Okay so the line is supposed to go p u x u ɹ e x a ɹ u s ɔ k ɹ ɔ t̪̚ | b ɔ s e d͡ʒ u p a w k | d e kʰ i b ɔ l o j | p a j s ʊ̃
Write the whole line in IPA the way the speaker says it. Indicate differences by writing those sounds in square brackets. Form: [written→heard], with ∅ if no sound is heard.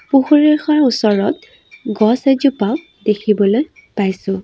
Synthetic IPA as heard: p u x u ɹ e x a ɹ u s ɔ [k→∅] ɹ ɔ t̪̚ | [b→ɡ] ɔ s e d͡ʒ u p a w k | d e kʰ i b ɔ l o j | p a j s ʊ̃